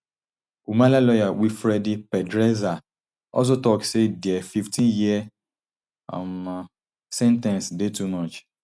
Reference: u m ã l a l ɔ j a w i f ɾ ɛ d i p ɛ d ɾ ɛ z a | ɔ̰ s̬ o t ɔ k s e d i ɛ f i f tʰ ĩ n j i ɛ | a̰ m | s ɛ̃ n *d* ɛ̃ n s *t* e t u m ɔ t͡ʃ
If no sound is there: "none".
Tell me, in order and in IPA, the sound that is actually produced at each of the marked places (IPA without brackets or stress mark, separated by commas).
t, d